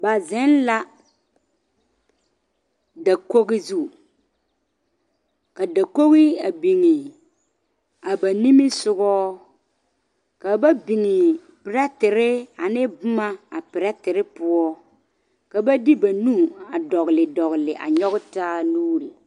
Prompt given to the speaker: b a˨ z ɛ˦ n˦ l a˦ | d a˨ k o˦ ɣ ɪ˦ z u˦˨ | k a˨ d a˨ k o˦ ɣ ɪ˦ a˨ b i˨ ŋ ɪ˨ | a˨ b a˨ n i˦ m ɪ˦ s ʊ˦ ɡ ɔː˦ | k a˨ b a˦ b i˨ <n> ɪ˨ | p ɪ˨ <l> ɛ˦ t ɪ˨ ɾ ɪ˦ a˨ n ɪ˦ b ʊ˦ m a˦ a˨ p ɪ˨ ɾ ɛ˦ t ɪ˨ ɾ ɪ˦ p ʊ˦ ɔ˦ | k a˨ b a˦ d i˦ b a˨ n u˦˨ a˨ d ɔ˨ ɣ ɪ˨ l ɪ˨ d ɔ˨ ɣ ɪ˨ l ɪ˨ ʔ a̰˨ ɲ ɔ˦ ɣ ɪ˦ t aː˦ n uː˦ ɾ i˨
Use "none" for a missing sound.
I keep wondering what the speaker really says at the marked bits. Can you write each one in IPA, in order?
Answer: ŋ, ɾ

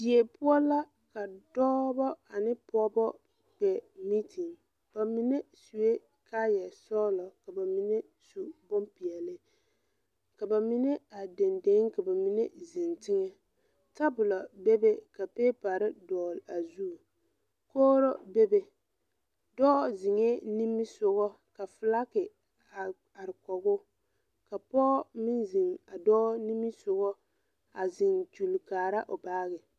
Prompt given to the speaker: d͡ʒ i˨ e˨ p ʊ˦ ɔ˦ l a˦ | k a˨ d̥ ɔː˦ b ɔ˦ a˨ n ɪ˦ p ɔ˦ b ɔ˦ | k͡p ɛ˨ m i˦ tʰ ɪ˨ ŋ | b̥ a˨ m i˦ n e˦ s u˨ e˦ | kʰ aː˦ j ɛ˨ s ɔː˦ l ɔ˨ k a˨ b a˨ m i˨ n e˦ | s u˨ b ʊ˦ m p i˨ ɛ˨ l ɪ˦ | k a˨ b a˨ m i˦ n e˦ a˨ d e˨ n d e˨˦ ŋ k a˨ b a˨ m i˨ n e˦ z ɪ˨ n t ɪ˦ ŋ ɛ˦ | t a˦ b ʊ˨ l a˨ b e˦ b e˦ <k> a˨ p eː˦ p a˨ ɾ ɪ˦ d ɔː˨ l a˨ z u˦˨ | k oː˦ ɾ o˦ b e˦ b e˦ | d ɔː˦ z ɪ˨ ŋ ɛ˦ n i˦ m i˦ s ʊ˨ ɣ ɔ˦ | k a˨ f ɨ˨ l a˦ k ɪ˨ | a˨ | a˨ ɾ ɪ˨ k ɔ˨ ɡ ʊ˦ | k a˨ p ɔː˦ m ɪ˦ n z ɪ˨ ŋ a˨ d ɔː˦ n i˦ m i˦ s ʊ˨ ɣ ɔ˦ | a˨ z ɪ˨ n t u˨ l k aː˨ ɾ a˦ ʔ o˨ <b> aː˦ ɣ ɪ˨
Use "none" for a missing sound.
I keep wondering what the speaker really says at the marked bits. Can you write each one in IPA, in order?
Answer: k, b

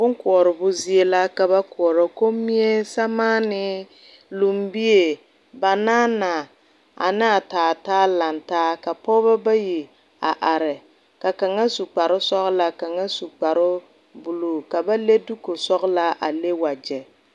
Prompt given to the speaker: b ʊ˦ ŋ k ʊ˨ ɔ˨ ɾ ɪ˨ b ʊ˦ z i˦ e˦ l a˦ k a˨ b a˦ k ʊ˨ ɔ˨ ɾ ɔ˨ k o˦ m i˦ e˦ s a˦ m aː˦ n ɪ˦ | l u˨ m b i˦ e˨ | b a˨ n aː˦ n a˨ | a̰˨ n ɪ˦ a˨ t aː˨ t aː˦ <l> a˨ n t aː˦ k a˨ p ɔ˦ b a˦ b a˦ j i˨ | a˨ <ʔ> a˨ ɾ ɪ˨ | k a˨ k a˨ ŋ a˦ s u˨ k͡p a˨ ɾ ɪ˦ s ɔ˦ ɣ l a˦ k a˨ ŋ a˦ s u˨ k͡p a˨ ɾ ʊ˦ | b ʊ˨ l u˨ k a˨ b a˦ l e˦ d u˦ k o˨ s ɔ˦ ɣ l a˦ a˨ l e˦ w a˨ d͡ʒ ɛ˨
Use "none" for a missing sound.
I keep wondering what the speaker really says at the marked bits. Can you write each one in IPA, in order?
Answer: l, ʔ

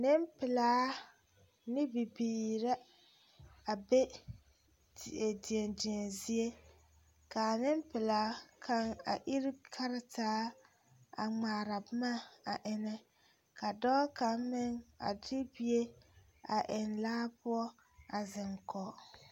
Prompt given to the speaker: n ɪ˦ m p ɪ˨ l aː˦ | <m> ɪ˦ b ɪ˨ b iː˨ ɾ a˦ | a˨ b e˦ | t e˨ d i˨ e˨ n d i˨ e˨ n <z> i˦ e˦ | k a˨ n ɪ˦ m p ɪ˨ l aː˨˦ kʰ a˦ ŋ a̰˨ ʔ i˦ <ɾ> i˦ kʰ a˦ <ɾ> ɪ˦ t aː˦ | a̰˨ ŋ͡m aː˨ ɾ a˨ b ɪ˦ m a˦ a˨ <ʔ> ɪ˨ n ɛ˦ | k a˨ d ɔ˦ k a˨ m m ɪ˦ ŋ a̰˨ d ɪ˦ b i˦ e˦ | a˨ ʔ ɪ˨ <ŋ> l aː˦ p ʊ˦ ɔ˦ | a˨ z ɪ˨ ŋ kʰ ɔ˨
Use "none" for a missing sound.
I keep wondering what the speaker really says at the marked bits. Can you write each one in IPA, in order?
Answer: n, z, ɾ, ɾ, ʔ, n

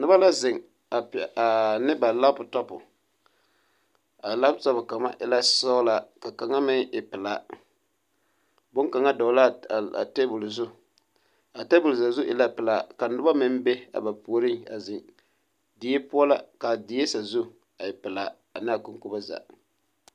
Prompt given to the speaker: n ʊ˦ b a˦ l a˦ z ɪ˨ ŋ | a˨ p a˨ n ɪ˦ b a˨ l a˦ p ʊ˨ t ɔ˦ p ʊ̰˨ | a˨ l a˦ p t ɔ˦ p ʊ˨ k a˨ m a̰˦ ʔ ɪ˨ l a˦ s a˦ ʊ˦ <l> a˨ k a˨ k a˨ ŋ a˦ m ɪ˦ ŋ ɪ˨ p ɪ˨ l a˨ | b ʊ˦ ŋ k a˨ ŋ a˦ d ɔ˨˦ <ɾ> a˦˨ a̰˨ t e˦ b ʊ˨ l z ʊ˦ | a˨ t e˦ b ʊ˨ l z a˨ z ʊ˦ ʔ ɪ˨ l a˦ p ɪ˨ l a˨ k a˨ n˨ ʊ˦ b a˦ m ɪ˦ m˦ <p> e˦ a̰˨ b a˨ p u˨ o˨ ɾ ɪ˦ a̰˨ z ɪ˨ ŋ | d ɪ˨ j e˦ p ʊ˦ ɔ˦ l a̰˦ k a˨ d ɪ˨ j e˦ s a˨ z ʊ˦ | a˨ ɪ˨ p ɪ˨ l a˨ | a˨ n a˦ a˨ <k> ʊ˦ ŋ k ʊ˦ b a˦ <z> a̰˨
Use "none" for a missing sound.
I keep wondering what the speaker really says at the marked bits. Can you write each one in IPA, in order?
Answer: l, l, b, k, z

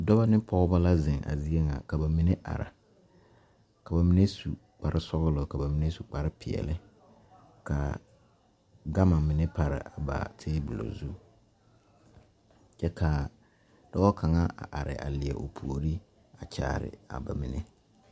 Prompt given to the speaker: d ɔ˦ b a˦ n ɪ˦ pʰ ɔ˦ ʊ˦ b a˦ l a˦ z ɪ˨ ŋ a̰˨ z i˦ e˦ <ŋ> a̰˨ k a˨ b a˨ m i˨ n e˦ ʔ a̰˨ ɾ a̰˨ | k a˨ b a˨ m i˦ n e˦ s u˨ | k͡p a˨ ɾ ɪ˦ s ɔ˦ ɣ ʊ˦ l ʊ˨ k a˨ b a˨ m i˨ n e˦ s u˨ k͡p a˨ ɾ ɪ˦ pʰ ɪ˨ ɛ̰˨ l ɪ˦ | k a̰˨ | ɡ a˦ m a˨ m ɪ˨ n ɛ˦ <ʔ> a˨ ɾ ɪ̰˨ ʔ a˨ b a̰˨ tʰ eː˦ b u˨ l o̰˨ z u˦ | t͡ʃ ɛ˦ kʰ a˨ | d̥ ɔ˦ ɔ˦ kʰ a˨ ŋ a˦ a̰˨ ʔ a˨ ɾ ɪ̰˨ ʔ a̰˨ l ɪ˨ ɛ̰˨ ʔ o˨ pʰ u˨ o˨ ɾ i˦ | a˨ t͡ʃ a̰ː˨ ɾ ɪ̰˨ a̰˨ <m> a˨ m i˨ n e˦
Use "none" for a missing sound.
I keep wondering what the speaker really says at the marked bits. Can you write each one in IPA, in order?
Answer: ŋ, p, b

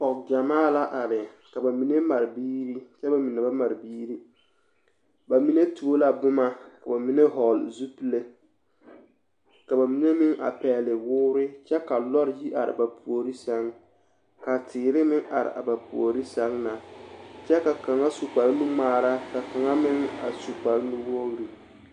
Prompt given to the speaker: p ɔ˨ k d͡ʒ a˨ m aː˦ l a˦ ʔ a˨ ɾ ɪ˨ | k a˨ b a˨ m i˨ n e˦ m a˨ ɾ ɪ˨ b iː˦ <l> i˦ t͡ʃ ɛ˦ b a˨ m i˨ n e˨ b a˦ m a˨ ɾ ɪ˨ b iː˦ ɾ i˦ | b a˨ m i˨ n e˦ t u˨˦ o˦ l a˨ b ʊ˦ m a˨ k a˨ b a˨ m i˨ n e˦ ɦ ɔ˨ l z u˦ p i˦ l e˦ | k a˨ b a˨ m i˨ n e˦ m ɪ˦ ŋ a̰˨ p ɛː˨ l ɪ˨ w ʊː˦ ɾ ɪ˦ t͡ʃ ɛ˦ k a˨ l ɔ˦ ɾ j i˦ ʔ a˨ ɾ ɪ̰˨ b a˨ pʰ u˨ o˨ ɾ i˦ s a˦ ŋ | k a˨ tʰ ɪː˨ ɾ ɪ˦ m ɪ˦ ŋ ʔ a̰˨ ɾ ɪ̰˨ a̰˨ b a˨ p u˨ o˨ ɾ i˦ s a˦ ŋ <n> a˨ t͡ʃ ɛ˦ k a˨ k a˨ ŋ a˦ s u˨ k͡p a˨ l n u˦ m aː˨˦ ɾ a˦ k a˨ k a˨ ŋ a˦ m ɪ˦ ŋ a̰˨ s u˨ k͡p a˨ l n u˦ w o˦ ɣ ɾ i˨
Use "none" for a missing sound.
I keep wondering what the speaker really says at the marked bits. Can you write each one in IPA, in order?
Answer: ɾ, n

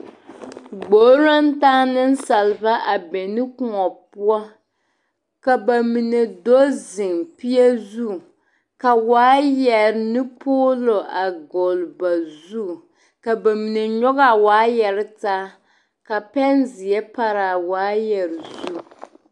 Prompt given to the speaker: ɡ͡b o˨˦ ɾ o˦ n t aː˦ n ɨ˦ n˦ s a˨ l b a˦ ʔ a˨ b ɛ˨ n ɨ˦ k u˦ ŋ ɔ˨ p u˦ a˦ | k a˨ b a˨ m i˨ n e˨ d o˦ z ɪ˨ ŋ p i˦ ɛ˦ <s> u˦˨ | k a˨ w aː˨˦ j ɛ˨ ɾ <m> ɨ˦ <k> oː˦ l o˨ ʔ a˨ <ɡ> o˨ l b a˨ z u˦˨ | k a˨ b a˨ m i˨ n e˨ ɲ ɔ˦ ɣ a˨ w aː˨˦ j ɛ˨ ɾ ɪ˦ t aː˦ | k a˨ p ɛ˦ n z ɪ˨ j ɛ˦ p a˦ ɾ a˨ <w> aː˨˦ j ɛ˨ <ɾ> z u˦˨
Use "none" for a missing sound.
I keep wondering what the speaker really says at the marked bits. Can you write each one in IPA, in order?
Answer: z, n, p, ɡ, w, ɾ

